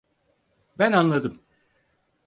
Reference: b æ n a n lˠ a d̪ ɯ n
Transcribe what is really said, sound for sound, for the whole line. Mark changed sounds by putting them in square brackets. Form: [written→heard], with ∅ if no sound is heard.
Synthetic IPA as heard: b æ n a n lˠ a d̪ ɯ [n→m]